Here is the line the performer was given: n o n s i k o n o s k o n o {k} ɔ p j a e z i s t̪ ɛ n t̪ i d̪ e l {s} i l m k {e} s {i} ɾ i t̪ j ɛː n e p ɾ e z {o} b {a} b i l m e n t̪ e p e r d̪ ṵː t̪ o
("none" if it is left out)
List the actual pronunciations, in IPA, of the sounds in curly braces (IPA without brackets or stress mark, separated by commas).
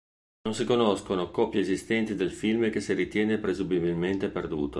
k, f, e, i, u, i